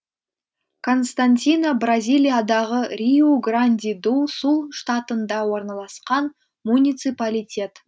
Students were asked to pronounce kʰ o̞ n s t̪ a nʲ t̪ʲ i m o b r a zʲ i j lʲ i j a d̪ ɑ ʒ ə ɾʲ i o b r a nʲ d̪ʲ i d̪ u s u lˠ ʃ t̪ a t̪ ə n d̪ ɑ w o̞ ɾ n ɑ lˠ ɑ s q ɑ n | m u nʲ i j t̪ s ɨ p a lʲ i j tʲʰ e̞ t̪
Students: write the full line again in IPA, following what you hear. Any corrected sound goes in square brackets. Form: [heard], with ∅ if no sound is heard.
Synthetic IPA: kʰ o̞ n s t̪ a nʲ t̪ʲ i [n] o b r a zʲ i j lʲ i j a d̪ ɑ [ʁ] ə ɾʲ i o [ɡ] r a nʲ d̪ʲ i d̪ u s u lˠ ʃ t̪ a t̪ ə n d̪ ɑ w o̞ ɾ n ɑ lˠ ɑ s q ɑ n | m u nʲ i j t̪ s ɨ p a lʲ i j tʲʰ e̞ t̪